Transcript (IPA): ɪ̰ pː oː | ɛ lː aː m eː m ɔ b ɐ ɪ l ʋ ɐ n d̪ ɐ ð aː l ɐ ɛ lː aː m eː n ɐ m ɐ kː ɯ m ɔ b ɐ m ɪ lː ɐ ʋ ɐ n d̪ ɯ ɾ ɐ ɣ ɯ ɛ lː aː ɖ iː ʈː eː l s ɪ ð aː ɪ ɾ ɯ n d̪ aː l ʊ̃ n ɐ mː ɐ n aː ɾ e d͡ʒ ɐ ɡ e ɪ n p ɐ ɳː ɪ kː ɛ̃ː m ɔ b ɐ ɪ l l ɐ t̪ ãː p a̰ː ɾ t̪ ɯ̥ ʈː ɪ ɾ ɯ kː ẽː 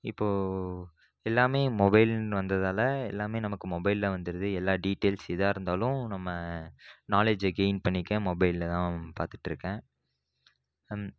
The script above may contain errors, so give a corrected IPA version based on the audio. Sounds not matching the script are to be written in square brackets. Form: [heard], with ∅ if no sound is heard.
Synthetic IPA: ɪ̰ pː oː | ɛ lː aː m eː m ɔ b ɐ ɪ l ʋ ɐ n d̪ ɐ ð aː l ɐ ɛ lː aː m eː n ɐ m ɐ kː ɯ m ɔ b ɐ [∅] ɪ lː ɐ ʋ ɐ n d̪ ɯ ɾ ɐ [ð] ɯ ɛ lː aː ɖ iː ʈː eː l s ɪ ð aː ɪ ɾ ɯ n d̪ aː l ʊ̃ n ɐ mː ɐ n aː [l] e d͡ʒ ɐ ɡ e ɪ n p ɐ ɳː ɪ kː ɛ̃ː m ɔ b ɐ ɪ l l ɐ t̪ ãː p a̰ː ɾ t̪ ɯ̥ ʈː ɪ ɾ ɯ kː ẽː